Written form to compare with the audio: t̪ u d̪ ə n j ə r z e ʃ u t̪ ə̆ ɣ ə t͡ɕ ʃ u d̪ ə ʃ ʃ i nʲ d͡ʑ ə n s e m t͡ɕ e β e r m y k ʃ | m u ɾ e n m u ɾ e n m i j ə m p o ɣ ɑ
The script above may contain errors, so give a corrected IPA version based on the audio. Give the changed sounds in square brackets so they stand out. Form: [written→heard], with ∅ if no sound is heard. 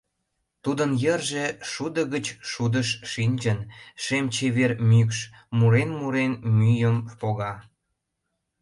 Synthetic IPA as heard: t̪ u d̪ ə n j ə r [z→ʒ] e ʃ u [t̪→d̪] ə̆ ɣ ə t͡ɕ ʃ u d̪ ə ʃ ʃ i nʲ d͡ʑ ə n [s→ʃ] e m t͡ɕ e β e r m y k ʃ | m u ɾ e n m u ɾ e n m [i→y] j ə m p o ɣ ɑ